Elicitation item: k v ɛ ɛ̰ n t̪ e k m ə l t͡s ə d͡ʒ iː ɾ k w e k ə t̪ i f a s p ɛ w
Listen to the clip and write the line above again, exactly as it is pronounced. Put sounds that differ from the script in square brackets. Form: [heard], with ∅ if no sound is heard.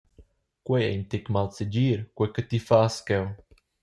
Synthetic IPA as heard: k [w] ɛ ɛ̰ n t̪ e k m [a] l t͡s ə d͡ʒ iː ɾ k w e k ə t̪ i f a s [k] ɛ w